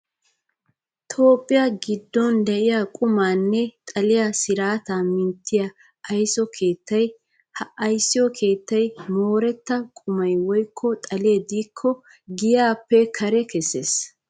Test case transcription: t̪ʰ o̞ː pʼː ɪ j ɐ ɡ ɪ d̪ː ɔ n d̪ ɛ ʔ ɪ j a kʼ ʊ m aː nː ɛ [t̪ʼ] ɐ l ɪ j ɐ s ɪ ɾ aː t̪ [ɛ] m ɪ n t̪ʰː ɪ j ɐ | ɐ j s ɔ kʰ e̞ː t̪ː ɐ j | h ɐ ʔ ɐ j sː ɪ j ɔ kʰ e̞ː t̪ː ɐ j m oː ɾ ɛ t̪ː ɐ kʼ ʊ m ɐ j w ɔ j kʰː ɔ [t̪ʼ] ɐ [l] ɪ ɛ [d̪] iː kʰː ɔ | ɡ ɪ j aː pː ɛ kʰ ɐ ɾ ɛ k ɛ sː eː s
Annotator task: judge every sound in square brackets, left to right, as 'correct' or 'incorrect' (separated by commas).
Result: correct, incorrect, correct, correct, correct